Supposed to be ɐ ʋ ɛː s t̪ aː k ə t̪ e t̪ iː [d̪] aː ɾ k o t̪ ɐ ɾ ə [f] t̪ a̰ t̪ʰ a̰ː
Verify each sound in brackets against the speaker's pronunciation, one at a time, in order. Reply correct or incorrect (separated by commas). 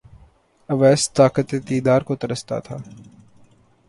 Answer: correct, incorrect